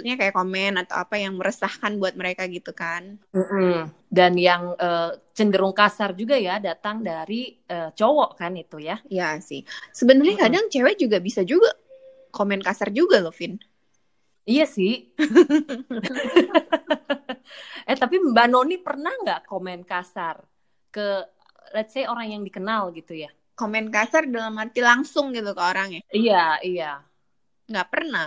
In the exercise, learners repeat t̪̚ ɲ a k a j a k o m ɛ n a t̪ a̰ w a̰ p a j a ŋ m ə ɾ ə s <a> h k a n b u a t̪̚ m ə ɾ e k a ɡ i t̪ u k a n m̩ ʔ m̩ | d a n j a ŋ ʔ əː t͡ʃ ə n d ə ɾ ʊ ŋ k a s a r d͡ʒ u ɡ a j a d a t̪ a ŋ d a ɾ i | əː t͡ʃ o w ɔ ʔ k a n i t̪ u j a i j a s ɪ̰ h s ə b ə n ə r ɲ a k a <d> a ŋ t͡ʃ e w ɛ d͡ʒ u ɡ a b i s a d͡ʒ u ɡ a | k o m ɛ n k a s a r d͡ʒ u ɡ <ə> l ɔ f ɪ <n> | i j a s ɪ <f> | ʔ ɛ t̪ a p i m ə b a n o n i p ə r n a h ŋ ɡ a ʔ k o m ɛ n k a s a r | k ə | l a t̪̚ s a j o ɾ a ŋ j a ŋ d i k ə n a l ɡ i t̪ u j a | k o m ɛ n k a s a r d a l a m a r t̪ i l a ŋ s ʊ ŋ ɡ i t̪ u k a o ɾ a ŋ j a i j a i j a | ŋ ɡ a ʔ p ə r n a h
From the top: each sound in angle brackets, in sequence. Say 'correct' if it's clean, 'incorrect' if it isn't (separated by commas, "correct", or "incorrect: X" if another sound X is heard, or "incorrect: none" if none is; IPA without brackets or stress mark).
correct, correct, incorrect: a, correct, incorrect: h